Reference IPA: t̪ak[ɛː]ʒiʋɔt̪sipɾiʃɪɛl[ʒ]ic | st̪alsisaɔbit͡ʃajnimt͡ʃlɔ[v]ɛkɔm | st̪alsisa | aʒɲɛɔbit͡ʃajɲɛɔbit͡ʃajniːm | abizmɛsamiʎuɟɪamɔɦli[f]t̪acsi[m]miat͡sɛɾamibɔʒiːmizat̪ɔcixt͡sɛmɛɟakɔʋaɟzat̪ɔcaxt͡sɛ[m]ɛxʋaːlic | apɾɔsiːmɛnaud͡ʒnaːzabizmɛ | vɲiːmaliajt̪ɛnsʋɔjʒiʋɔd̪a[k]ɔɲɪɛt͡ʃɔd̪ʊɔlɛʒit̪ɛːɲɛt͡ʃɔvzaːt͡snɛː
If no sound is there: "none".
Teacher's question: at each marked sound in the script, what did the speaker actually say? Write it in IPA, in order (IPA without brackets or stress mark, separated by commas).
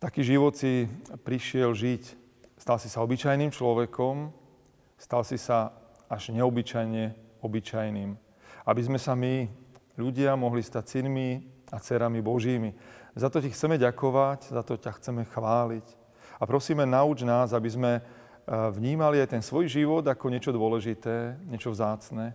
iː, ʒ, ʋ, s, n, m, k